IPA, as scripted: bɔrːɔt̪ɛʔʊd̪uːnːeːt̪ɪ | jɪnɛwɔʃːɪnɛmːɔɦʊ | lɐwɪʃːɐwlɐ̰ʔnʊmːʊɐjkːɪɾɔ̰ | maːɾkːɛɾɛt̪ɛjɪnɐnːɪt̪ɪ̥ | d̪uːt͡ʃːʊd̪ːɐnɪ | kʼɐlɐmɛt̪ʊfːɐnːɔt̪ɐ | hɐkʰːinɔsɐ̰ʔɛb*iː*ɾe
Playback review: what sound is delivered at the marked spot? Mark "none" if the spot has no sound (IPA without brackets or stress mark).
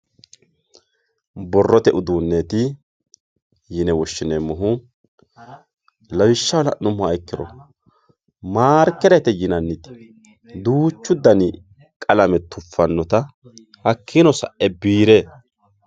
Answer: iː